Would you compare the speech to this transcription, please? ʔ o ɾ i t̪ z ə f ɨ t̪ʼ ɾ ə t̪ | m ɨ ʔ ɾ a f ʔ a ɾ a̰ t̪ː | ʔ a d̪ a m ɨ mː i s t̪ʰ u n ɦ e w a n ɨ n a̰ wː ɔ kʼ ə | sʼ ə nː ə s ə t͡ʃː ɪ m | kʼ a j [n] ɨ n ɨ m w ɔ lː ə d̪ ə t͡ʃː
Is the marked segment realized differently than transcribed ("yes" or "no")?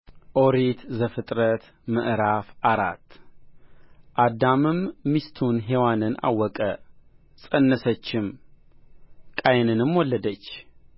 no